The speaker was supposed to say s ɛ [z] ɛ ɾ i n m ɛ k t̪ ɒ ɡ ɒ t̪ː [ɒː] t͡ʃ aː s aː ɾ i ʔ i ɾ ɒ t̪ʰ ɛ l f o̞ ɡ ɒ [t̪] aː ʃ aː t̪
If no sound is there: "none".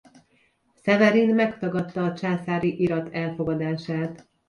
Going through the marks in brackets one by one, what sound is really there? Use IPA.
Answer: v, ɒː, d̪

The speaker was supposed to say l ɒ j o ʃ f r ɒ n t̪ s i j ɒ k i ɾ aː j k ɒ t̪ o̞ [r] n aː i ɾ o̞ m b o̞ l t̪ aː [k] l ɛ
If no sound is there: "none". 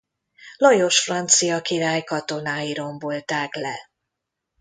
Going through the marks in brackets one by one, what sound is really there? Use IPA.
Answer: none, k

